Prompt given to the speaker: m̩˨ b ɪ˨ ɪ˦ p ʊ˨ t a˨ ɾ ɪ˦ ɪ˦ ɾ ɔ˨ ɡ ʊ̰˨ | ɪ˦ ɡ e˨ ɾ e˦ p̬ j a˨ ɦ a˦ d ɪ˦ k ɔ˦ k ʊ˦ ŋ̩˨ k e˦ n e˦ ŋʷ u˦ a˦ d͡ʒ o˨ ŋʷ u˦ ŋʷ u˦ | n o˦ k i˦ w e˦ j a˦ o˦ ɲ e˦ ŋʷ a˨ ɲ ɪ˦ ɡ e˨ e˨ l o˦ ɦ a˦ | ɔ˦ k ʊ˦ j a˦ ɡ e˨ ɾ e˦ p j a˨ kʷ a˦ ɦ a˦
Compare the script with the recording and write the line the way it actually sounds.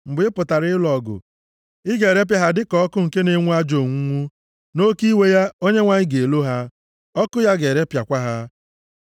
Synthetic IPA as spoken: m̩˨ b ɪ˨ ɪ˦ p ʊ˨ t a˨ ɾ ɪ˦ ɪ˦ l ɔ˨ ɡ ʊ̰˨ | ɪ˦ ɡ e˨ ɾ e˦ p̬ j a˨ ɦ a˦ d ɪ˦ k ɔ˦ k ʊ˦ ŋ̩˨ k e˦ n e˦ ŋʷ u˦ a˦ d͡ʒ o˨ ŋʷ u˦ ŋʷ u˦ | n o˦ k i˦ w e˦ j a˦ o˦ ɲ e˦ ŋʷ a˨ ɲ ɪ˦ ɡ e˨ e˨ l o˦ ɦ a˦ | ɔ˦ k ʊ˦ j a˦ ɡ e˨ ɾ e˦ p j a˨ kʷ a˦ ɦ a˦